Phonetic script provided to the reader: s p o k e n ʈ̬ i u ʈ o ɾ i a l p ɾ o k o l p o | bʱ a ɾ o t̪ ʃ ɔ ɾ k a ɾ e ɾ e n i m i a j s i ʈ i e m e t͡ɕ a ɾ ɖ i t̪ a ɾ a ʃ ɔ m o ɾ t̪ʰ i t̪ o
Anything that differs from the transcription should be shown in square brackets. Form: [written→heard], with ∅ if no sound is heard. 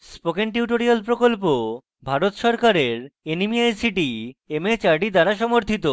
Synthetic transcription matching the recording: s p o k e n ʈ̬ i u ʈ o ɾ i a l p ɾ o k o l p o | bʱ a ɾ o t̪ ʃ ɔ ɾ k a ɾ e ɾ e n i m i a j s i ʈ i e m e t͡ɕ a ɾ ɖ i [t̪→d̪] a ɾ a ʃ ɔ m o ɾ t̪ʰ i t̪ o